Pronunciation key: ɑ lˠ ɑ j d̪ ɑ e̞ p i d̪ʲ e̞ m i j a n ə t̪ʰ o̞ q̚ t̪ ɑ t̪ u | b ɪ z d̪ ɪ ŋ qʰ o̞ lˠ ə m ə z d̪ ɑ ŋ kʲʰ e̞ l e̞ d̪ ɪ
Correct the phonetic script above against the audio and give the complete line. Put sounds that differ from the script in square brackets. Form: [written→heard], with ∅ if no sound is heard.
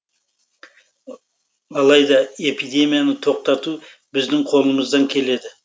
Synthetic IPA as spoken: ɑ lˠ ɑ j d̪ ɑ e̞ p i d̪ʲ e̞ m i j a n ə t̪ʰ o̞ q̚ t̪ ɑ t̪ u | b ɪ z d̪ ɪ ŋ qʰ o̞ lˠ ə m ə z d̪ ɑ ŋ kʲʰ e̞ l e̞ d̪ ɪ